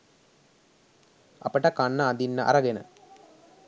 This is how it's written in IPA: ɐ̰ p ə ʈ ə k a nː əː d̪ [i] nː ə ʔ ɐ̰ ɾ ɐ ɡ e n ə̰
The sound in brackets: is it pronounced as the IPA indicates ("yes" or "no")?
yes